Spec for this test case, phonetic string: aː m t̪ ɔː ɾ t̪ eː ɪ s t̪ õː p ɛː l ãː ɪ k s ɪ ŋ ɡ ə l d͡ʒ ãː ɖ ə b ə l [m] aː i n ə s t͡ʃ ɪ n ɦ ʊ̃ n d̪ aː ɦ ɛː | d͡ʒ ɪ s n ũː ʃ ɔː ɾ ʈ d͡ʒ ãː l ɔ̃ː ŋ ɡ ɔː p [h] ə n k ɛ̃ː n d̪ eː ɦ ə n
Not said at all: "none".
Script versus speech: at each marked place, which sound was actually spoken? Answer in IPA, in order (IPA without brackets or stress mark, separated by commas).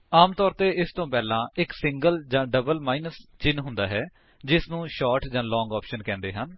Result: m, ʃ